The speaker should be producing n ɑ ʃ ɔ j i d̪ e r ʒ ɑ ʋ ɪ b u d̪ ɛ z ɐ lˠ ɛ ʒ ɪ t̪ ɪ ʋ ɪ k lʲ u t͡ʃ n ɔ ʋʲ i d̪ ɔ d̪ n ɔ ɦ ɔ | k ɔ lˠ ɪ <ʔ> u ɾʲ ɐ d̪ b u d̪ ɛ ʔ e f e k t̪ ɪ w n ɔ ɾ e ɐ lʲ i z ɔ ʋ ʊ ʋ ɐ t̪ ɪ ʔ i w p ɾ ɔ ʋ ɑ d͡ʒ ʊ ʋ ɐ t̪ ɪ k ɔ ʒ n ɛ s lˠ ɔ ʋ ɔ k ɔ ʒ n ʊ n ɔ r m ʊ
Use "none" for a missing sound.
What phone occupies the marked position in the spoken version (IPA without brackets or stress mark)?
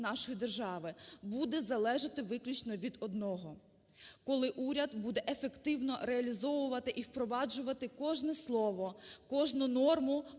ʔ